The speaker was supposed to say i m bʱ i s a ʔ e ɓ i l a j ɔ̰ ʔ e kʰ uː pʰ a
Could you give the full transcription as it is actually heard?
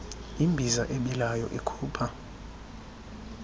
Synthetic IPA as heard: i m bʱ i z a ʔ e ɓ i l a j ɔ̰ ʔ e kʰ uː pʰ a